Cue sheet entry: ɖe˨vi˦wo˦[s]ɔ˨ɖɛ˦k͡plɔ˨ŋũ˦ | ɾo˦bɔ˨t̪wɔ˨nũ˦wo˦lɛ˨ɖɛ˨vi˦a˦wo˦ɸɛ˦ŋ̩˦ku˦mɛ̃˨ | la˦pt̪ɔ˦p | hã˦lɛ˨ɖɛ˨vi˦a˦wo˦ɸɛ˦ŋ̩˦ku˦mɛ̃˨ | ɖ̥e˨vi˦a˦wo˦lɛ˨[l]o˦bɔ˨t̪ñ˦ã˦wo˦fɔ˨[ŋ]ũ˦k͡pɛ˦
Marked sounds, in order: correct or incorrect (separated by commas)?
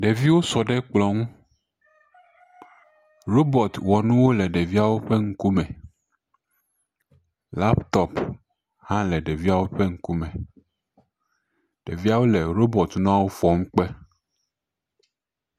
correct, incorrect, correct